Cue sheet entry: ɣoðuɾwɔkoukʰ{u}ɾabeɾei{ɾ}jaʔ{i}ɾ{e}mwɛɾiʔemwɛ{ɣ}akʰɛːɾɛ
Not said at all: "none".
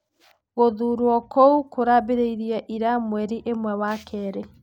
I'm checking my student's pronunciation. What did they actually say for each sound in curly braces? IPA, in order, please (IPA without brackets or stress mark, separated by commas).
o, ɾ, i, a, w